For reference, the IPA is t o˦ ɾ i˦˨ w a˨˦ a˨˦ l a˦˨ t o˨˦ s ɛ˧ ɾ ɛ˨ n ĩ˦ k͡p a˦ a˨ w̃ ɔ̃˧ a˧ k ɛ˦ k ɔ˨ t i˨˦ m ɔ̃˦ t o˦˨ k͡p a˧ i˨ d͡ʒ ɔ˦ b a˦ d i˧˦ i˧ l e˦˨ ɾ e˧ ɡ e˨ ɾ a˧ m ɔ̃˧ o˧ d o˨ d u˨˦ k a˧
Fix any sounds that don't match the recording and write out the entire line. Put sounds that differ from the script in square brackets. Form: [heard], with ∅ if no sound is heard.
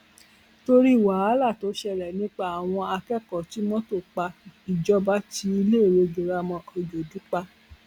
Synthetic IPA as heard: t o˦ ɾ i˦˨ w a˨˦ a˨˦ l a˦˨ t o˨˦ [ʃ] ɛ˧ ɾ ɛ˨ n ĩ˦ k͡p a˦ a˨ w̃ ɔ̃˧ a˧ k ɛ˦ k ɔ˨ t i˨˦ m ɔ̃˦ t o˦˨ k͡p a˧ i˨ d͡ʒ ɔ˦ b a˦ [t] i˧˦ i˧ l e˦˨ ɾ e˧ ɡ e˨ ɾ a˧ m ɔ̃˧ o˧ [d͡ʒ] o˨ d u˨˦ [k͡p] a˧